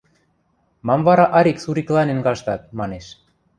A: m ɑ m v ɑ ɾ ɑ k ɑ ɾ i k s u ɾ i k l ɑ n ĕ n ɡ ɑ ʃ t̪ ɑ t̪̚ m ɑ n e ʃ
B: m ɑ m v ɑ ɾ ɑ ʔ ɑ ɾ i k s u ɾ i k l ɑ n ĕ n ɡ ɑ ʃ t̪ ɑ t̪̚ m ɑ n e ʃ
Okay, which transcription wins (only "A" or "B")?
B